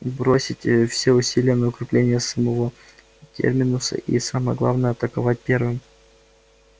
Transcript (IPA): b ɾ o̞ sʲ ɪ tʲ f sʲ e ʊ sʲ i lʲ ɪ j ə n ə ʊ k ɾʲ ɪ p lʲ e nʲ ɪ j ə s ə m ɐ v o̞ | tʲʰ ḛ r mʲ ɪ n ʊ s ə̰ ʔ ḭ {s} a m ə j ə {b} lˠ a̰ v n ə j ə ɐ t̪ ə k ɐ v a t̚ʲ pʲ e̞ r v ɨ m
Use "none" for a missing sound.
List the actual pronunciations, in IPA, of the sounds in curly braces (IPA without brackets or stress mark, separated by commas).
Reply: s, ɡ